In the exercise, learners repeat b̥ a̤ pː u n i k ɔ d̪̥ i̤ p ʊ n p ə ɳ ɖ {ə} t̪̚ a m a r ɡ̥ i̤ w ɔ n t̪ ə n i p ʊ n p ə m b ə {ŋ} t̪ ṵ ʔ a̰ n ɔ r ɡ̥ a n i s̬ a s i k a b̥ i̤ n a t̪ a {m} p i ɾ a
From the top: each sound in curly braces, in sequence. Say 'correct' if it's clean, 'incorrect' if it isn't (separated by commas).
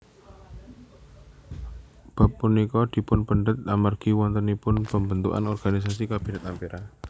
correct, incorrect, correct